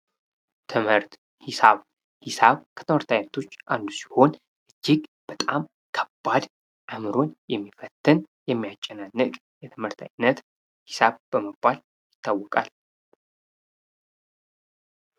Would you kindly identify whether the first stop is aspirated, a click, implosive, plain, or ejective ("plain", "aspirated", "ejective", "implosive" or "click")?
aspirated